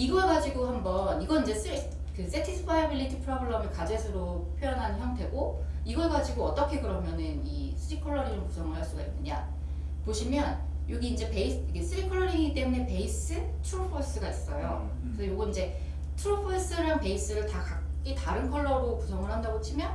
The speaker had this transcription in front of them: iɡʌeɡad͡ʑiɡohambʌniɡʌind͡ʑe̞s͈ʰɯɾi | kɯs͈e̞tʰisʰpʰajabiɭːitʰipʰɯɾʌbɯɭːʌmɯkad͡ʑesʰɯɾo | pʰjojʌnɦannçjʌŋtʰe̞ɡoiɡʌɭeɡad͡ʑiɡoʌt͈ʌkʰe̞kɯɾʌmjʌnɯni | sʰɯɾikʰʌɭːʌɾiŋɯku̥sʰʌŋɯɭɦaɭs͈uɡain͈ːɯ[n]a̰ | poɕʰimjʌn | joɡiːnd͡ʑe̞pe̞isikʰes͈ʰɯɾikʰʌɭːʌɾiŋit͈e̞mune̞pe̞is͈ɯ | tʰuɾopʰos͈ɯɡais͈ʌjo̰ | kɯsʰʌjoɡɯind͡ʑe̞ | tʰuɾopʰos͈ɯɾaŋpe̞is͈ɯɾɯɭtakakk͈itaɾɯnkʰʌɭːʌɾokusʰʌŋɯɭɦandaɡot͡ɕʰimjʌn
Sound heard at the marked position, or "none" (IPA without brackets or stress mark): ɲ